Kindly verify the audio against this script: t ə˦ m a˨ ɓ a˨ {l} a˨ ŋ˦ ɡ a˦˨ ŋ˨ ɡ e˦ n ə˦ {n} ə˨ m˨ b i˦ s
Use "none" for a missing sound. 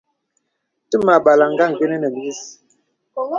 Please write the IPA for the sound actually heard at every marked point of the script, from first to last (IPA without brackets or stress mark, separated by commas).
l, n